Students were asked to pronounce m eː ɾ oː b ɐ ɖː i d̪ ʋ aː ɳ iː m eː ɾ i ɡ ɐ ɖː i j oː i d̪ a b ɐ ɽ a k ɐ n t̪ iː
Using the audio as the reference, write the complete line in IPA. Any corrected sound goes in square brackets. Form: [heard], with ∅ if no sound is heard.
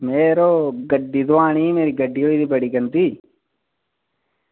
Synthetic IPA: m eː ɾ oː [ɡ] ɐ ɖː i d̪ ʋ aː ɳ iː m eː ɾ i ɡ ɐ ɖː i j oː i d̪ [i] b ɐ ɽ [i] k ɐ n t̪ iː

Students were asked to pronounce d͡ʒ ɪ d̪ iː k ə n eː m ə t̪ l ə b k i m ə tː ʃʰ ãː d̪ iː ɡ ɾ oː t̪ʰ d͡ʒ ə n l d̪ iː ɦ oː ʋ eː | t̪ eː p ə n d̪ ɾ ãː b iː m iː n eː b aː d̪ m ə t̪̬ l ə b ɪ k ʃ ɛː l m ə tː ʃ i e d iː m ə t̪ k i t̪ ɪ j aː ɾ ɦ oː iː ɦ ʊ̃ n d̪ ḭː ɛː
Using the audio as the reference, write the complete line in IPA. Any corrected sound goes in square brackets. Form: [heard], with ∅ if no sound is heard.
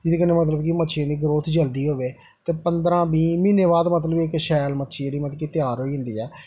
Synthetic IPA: d͡ʒ ɪ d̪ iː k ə n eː m ə t̪ l ə b k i m ə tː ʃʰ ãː d̪ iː ɡ ɾ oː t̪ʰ d͡ʒ ə [∅] l d̪ iː ɦ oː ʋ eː | t̪ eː p ə n d̪ ɾ ãː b iː m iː n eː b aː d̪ m ə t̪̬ l ə b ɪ k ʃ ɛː l m ə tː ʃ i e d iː m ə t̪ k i t̪ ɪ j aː ɾ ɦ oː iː ɦ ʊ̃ n d̪ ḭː ɛː

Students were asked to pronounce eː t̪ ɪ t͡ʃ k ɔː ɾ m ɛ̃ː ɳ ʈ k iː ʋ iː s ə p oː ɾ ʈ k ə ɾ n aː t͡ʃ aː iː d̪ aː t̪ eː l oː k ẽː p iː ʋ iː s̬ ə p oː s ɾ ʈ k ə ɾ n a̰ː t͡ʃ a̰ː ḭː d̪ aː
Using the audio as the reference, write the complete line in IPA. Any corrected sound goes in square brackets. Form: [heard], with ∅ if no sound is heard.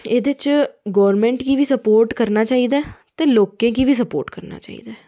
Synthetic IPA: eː [d̪] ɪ t͡ʃ [ɡ] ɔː ɾ m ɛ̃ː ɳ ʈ k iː ʋ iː s ə p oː ɾ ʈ k ə ɾ n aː t͡ʃ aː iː d̪ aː t̪ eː l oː k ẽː [k] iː ʋ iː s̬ ə p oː [∅] ɾ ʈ k ə ɾ n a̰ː t͡ʃ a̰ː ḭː d̪ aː

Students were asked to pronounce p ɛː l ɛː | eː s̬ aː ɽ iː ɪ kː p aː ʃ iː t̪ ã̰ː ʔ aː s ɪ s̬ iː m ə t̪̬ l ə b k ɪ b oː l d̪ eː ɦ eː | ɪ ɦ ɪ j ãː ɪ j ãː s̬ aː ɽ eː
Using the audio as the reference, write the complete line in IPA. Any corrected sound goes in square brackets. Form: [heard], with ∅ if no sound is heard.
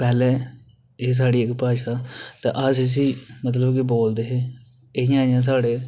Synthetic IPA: p ɛː l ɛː | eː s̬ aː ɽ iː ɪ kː p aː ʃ [aː] t̪ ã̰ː ʔ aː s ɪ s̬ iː m ə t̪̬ l ə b k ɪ b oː l d̪ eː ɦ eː | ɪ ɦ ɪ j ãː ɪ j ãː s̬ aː ɽ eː

